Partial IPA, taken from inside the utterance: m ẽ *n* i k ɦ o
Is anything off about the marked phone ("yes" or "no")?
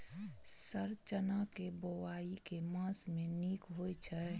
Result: no